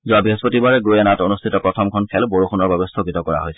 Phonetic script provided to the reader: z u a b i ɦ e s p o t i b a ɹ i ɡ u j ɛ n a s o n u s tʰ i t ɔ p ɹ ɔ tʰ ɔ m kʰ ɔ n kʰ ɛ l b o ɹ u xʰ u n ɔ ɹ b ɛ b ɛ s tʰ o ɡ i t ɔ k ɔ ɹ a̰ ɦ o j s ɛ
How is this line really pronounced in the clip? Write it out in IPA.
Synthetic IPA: z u a b i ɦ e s p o t i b a ɹ ɛ ɡ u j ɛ n a t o n u s tʰ i t ɔ p ɹ ɔ tʰ ɔ m kʰ ɔ n kʰ ɛ l b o ɹ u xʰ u n ɔ ɹ b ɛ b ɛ s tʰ o ɡ i t ɔ k ɔ ɹ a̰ ɦ o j s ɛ